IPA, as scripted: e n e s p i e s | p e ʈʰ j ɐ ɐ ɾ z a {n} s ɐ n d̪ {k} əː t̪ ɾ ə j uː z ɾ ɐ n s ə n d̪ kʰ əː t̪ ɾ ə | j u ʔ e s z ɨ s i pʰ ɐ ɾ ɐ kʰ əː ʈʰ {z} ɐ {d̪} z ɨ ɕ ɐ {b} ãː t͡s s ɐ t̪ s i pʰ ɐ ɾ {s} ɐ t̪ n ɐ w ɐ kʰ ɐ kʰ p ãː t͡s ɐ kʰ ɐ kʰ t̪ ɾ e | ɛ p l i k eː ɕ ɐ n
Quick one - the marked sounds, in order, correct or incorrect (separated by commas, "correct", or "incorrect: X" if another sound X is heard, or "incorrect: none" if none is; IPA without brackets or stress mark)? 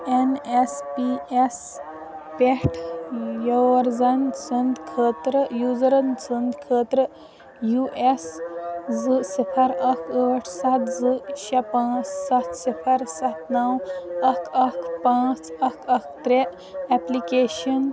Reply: correct, incorrect: kʰ, incorrect: s, incorrect: t̪, incorrect: p, correct